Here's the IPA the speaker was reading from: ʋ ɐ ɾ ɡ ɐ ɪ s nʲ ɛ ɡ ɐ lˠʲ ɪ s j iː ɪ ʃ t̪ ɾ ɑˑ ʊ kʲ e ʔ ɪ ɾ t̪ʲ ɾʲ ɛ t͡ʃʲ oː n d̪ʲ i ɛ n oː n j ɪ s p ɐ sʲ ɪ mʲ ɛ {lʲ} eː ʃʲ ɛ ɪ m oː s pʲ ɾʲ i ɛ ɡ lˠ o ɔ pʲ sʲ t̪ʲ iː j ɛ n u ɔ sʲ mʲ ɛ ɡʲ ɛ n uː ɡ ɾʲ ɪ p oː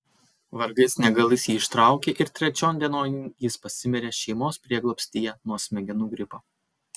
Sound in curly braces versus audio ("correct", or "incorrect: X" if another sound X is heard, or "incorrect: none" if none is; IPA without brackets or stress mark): incorrect: ɾʲ